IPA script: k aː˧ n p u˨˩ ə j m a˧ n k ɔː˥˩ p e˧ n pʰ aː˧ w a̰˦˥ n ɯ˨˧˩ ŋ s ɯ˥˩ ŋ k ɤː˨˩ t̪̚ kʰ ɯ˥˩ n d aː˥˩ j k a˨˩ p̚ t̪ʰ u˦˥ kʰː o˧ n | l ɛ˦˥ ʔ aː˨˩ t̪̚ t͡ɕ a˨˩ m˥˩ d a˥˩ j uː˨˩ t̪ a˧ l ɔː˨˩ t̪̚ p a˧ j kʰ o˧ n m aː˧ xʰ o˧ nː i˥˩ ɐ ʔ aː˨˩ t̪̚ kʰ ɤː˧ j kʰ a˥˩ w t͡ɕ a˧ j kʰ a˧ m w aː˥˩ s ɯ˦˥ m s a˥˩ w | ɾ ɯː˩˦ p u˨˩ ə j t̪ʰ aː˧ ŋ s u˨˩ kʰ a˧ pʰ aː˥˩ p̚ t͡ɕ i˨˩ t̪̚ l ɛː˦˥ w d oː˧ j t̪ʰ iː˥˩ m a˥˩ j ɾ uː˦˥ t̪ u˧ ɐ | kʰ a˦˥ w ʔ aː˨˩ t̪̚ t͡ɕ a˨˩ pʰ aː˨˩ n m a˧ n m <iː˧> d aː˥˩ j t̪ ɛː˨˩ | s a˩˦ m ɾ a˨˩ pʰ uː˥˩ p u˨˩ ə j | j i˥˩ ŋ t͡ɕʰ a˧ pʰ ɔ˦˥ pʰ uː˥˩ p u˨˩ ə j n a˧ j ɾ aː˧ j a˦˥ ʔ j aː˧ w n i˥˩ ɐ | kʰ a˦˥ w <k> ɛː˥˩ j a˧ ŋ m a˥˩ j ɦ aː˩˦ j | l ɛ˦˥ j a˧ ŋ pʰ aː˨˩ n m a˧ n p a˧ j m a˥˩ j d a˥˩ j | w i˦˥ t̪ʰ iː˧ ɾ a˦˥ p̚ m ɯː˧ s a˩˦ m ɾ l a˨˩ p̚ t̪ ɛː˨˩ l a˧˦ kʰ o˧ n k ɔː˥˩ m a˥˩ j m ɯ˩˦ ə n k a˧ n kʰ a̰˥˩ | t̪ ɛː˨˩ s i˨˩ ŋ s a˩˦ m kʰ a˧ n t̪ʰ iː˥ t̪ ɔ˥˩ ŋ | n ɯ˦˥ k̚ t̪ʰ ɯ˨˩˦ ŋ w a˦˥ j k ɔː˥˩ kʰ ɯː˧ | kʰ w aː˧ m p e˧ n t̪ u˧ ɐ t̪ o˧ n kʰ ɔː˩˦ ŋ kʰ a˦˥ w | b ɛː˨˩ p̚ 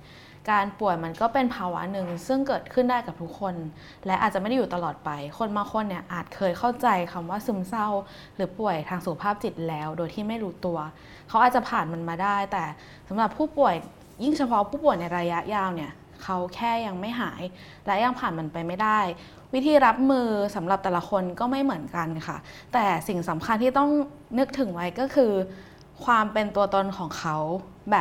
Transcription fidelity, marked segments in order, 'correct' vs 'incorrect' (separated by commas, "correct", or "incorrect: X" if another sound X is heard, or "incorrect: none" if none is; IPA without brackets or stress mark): incorrect: aː˧, incorrect: kʰ